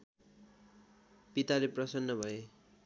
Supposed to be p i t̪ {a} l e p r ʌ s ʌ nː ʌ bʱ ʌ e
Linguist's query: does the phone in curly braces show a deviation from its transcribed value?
no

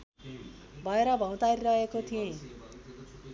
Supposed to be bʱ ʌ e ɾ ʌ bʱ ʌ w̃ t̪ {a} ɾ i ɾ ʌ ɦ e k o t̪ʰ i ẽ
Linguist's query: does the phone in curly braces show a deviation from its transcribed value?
no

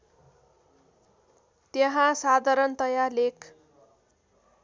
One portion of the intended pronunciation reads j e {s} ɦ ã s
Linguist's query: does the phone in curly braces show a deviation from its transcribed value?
yes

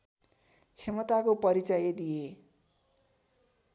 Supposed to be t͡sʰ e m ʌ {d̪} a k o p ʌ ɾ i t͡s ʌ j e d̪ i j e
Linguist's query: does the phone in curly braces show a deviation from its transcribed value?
yes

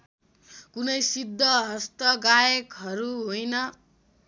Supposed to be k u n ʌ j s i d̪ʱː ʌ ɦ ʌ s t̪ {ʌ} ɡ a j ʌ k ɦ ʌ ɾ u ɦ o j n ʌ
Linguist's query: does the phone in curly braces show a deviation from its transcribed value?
no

